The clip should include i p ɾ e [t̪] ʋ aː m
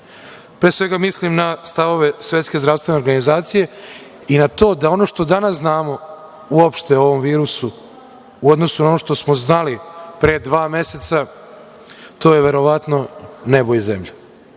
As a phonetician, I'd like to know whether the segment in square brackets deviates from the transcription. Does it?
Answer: yes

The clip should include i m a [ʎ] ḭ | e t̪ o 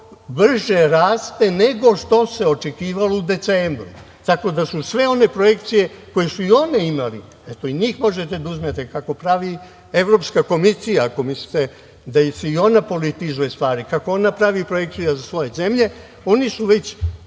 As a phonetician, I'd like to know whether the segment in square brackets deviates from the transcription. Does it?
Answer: yes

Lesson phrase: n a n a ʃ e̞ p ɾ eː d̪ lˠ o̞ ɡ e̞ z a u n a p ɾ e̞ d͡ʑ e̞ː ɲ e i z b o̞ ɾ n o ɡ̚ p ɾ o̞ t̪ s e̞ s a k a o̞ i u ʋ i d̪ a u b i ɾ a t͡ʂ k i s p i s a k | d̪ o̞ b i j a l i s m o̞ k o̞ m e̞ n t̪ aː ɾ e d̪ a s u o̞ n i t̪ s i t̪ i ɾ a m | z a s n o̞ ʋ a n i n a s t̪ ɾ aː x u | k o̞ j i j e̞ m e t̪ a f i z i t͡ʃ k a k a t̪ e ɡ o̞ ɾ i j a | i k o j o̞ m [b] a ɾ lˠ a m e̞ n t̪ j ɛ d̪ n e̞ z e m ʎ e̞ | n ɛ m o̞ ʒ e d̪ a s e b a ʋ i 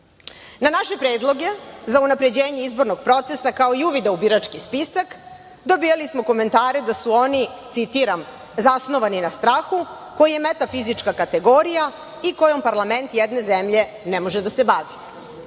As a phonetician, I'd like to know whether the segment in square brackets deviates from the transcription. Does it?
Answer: yes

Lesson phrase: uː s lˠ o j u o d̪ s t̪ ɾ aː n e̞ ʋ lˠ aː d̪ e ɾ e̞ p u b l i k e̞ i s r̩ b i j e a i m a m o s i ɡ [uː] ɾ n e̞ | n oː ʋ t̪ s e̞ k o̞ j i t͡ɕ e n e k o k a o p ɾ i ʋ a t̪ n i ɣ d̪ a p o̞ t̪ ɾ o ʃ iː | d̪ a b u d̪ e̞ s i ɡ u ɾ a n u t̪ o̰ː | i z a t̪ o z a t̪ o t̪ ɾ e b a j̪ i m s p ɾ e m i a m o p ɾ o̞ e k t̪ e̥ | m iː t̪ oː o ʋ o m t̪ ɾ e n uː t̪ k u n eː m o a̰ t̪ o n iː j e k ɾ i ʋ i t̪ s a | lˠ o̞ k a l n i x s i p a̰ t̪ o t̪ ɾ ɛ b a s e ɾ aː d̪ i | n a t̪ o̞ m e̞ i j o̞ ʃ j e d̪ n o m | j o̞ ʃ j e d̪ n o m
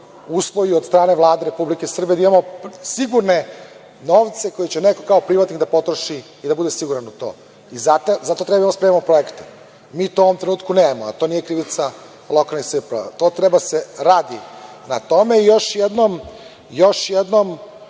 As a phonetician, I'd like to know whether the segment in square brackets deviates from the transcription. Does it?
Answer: yes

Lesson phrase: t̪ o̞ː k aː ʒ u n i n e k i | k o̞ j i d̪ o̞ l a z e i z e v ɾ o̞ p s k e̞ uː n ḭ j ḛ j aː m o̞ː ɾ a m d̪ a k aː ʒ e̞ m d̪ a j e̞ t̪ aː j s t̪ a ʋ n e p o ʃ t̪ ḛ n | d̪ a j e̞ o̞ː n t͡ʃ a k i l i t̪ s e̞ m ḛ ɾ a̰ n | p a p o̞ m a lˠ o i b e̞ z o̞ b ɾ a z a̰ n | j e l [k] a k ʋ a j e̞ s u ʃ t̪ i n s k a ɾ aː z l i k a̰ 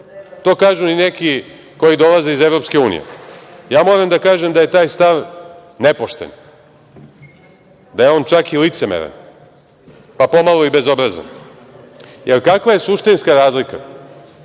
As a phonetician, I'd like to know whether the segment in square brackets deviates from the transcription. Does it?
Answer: no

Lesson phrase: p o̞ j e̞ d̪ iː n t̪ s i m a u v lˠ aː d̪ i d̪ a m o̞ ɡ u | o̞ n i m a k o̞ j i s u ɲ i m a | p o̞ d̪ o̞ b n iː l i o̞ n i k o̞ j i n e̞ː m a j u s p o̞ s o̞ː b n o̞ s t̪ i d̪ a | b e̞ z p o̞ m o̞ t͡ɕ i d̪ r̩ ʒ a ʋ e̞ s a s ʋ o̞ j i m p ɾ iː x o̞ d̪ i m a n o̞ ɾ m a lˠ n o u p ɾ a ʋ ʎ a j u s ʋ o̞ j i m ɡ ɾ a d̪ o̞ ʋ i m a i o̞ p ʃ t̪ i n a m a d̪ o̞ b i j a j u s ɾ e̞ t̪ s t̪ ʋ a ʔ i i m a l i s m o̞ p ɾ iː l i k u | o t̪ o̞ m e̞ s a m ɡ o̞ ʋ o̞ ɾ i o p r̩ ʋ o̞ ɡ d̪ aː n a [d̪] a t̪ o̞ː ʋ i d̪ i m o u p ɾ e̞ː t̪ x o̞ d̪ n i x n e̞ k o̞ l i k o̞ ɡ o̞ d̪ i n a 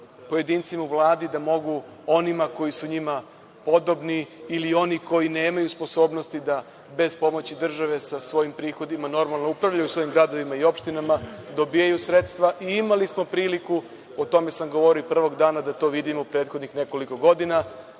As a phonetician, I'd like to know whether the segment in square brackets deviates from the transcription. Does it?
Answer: no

